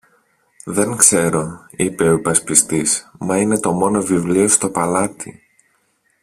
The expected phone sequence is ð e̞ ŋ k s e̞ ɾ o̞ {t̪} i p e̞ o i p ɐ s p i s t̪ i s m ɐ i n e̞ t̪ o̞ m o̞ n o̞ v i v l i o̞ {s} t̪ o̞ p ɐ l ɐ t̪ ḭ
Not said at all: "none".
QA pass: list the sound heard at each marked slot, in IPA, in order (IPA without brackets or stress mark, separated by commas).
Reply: none, s